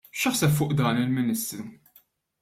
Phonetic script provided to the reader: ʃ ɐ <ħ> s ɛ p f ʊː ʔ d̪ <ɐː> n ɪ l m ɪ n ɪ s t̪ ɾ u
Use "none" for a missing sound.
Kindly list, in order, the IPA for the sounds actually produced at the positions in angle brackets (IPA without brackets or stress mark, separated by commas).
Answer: ħ, ɐː